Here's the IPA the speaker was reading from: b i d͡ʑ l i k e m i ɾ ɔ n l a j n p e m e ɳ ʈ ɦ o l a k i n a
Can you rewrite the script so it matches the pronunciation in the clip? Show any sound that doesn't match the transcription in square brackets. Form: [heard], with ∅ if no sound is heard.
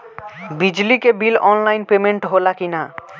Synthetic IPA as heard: b i d͡ʑ l i k e [b] i [l] ɔ n l a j n p e m e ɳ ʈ ɦ o l a k i n a